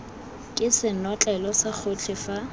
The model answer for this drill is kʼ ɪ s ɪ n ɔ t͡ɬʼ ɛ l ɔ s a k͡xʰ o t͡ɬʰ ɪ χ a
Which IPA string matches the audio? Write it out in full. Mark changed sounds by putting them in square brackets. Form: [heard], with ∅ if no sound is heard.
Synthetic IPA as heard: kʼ ɪ s ɪ n ɔ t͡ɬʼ ɛ l ɔ s a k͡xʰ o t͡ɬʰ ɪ [f] a